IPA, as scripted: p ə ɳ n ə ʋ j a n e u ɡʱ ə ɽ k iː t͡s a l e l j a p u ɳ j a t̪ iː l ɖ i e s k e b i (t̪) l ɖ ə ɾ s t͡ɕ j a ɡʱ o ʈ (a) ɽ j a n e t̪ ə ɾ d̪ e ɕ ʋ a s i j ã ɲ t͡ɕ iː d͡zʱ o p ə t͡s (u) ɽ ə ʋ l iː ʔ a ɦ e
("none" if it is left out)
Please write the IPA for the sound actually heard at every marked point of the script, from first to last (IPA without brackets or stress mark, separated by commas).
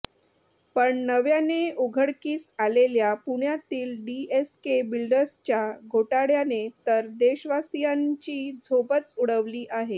none, a, u